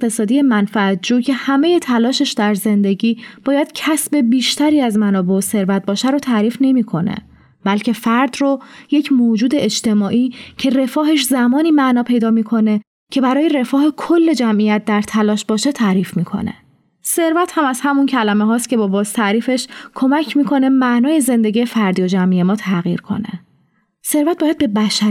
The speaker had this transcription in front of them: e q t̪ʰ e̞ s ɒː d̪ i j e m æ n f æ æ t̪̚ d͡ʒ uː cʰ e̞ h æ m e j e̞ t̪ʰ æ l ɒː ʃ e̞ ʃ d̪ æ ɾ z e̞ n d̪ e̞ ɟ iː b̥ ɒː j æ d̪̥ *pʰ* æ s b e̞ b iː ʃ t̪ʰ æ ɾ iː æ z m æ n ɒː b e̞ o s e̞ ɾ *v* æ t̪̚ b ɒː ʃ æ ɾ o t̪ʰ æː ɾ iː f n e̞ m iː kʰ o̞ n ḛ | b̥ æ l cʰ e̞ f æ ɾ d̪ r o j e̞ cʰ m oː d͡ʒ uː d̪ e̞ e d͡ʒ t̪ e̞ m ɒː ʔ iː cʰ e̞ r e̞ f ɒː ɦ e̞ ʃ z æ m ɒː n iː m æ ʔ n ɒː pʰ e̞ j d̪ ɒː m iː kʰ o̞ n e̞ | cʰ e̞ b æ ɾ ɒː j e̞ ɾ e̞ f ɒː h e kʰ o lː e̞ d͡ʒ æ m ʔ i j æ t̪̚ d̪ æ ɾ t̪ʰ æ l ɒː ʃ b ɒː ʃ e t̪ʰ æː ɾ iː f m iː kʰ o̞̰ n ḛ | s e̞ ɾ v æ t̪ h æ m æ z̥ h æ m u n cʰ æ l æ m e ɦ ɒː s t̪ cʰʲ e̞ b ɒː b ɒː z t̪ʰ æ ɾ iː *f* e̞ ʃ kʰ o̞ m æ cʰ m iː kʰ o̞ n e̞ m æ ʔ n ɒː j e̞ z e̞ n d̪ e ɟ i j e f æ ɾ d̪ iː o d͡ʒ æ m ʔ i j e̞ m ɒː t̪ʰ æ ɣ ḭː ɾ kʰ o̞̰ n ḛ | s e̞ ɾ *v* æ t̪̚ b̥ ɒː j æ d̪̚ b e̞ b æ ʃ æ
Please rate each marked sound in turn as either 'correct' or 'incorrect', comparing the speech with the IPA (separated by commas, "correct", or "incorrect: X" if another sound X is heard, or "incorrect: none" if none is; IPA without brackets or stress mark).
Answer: incorrect: cʰ, correct, correct, correct